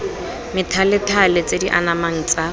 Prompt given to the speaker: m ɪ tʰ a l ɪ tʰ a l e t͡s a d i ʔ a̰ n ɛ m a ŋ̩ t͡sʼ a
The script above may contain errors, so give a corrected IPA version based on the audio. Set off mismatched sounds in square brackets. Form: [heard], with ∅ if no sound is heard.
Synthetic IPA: m ɪ tʰ a l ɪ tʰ a l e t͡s [e] d i ʔ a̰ n [a] m a ŋ̩ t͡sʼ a

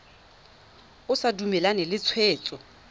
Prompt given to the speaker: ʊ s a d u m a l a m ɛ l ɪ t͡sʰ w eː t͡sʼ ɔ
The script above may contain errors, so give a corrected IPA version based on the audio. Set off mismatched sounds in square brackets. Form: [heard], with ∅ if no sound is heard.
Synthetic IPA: ʊ s a d u m [ɛ] l a [n] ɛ l ɪ t͡sʰ w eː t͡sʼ ɔ

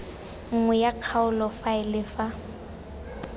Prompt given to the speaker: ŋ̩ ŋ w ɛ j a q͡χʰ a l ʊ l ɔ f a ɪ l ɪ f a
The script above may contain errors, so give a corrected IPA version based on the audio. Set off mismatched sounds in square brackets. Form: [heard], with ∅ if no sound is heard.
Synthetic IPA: ŋ̩ ŋ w ɛ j a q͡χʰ a [∅] ʊ l ɔ f a ɪ l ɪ f a

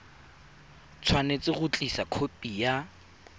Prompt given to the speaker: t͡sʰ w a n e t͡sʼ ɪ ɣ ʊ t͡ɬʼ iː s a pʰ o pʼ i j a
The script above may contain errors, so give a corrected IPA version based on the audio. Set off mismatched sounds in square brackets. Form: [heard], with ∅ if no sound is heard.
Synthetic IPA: t͡sʰ w a n e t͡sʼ ɪ ɣ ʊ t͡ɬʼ [i] s a [kʰ] o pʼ i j a

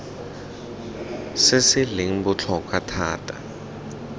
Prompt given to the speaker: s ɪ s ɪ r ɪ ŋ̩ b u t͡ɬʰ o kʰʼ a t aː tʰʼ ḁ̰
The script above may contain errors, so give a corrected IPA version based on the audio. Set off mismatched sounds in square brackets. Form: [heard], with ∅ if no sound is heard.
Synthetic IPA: s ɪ s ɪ [l] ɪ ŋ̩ b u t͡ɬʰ [ɔ] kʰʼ a [tʰ] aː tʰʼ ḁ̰

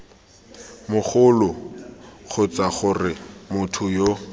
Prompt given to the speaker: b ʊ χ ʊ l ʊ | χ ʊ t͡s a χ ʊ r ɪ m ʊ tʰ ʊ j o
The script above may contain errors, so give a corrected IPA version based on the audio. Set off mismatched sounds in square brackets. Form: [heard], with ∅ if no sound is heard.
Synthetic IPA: [m] ʊ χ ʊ l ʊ | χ ʊ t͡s a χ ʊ r ɪ m ʊ tʰ ʊ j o

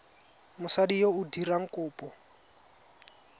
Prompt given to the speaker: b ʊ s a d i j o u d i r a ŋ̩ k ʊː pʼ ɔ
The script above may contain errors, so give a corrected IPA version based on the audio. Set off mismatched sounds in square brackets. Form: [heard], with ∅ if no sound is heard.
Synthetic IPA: [m] ʊ s a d i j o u d i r a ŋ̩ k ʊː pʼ ɔ

